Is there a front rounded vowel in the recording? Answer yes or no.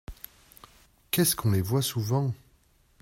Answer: no